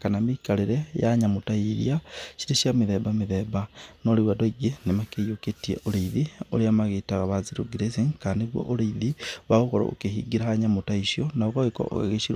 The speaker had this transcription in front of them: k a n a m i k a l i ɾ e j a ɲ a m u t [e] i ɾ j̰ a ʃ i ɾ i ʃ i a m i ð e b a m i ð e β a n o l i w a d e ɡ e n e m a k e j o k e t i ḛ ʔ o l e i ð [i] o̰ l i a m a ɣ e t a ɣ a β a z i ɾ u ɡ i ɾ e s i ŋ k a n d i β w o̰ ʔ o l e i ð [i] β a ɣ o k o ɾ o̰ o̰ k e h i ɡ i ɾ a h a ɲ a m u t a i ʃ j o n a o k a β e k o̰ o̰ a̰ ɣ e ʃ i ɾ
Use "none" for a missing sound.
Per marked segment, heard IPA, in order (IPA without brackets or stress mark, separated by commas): a, i, i